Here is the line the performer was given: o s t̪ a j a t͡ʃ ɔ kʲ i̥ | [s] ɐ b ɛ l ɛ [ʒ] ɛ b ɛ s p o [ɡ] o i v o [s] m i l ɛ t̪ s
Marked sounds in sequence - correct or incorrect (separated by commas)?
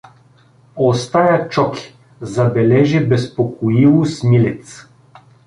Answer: incorrect, correct, incorrect, correct